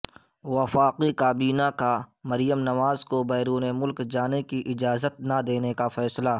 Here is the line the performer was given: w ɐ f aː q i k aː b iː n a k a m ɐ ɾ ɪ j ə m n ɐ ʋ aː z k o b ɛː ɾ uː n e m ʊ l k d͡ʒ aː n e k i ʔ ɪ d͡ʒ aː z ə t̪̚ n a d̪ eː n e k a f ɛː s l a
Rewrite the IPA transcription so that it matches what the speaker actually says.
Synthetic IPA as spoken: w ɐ f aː q i k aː b iː n a k a m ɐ ɾ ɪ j ə m n ɐ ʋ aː z k o b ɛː ɾ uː n e m ʊ l k d͡ʒ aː n e k i ʔ ɪ d͡ʒ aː z ə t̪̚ n a d̪ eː n e k a f ɛː s l a

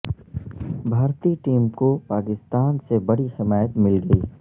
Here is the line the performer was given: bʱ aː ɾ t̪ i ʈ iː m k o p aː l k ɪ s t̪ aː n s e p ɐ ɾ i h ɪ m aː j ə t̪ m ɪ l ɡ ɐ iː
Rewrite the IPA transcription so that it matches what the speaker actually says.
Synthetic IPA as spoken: bʱ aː ɾ t̪ i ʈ iː m k o p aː k ɪ s t̪ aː n s e b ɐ ɽ i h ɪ m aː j ə t̪ m ɪ l ɡ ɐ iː

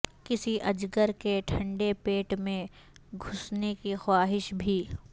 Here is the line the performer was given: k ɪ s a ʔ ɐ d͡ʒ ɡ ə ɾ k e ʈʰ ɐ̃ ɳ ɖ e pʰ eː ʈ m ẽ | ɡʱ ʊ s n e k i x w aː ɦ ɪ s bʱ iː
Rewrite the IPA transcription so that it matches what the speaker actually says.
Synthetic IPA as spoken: k ɪ s i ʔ ɐ d͡ʒ ɡ ə ɾ k e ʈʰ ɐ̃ ɳ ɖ e p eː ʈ m ẽ | ɡʱ ʊ s n e k i x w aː ɦ ɪ ʃ bʱ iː

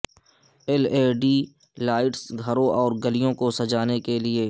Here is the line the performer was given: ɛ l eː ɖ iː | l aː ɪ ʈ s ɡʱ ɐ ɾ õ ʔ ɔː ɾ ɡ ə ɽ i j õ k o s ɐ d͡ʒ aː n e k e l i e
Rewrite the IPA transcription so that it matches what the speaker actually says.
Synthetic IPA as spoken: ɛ l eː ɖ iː | l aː ɪ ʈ s ɡʱ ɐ ɾ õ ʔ ɔː ɾ ɡ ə l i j õ k o s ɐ d͡ʒ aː n e k e l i e

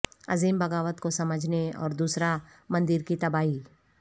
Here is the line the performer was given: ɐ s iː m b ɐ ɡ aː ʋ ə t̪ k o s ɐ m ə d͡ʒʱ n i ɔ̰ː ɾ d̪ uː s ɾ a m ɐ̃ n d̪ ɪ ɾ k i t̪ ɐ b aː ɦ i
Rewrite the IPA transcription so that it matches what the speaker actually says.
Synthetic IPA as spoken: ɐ z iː m b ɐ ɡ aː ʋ ə t̪ k o s ɐ m ə d͡ʒʱ n e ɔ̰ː ɾ d̪ uː s ɾ a m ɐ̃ n d̪ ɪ ɾ k i t̪ ɐ b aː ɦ i

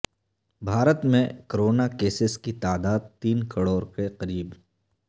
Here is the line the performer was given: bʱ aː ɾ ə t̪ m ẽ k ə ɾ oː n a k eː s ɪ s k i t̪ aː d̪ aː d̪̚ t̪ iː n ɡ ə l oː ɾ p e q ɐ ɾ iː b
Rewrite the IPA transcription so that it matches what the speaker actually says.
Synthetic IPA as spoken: bʱ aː ɾ ə t̪ m ẽ k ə ɾ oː n a k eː s ɪ s k i t̪ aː d̪ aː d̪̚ t̪ iː n k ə ɽ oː ɾ k e q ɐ ɾ iː b

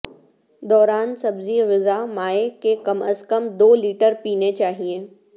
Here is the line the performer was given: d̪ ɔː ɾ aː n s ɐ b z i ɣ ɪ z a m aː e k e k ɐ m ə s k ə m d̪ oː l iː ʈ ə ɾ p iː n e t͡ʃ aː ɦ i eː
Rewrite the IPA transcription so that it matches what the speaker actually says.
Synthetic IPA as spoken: d̪ ɔː ɾ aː n s ɐ b z i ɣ ɪ z a m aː e k e k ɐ m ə s k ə m d̪ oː l iː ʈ ə ɾ p iː n e t͡ʃ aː ɦ i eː

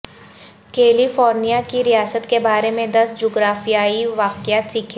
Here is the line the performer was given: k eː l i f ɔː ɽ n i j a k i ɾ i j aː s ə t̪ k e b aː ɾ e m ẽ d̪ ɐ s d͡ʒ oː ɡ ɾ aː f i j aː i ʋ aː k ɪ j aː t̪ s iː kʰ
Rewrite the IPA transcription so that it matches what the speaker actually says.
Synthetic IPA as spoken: k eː l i f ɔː ɾ n i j a k i ɾ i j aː s ə t̪ k e b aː ɾ e m ẽ d̪ ɐ s d͡ʒ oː ɡ ɾ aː f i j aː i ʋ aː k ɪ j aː t̪ s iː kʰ

